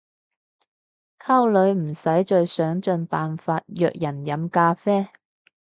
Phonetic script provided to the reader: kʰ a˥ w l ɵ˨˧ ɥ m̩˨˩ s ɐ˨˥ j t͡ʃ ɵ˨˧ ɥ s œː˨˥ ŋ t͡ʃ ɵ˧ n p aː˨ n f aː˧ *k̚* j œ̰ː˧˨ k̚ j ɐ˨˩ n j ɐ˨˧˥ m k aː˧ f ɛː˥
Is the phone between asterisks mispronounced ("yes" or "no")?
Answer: yes